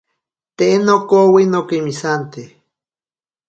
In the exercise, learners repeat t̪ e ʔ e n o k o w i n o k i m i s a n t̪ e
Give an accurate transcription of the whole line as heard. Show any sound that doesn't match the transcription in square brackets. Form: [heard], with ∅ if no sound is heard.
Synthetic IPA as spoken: t̪ e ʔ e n o k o w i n o k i m i s a n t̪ e